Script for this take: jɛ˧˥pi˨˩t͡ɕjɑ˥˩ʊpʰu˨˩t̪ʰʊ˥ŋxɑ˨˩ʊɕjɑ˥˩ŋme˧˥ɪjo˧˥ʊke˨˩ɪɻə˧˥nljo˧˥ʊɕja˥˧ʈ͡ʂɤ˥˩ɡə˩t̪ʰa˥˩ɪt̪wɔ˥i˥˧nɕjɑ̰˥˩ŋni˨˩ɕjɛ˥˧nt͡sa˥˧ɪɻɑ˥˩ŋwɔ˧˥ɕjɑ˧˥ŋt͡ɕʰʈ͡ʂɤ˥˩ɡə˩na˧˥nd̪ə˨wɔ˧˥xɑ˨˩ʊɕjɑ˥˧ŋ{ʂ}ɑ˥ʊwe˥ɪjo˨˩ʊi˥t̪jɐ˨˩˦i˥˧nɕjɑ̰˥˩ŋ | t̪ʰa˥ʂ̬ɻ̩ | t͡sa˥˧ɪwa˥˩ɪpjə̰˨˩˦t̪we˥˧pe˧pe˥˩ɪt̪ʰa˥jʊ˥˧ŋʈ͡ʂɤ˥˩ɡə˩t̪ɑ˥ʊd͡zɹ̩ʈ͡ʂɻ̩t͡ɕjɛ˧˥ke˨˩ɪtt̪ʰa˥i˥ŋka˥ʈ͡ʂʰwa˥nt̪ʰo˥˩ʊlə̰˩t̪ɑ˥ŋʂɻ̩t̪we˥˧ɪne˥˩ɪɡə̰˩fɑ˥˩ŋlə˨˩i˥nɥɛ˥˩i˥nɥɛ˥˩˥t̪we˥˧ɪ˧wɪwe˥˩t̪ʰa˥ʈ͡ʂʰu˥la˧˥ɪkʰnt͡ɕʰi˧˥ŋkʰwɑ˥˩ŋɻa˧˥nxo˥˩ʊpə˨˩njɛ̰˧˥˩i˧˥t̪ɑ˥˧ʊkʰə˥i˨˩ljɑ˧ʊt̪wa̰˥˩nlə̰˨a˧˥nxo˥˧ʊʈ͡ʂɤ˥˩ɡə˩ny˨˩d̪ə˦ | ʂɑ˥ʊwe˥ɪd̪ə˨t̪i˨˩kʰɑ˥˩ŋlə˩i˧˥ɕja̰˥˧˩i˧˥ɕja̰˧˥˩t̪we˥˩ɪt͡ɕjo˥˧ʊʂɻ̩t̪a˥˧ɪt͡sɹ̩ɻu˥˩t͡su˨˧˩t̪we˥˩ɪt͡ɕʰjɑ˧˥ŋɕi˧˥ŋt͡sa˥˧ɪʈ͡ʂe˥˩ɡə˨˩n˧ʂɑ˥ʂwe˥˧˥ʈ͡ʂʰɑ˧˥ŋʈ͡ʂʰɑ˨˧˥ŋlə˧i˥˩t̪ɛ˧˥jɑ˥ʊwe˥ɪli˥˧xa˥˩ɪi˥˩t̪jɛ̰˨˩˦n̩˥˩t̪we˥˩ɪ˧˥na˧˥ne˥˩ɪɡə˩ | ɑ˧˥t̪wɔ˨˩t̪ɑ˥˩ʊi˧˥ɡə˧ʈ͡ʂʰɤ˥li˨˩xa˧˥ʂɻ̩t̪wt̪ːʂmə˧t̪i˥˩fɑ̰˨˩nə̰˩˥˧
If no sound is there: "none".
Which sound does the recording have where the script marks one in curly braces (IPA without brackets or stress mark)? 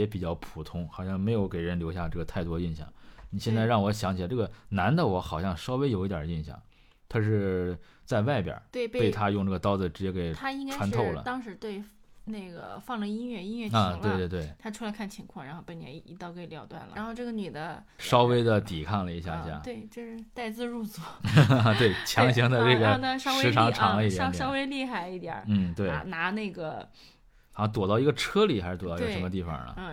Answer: ʂ